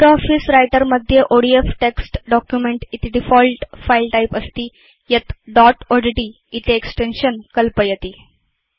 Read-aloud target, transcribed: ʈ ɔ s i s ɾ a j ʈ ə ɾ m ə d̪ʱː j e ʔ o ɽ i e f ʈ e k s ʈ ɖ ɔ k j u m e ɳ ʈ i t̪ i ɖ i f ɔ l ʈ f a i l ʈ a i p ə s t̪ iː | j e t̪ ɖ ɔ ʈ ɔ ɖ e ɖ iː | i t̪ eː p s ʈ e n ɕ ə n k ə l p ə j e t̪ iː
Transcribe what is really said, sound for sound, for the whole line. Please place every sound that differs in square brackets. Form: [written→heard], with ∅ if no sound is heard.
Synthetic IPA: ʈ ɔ [s→f] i s ɾ a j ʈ ə ɾ m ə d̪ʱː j e ʔ o ɽ i e f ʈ e k s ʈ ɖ ɔ k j u m e ɳ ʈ i t̪ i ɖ i f ɔ l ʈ f a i l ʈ a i p ə s t̪ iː | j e t̪ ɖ ɔ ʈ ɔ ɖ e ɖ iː | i t̪ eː [p→k] s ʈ e n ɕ ə n k ə l p ə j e t̪ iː